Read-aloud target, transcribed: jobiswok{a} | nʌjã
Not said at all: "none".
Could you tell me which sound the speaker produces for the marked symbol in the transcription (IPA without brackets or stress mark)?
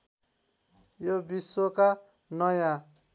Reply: a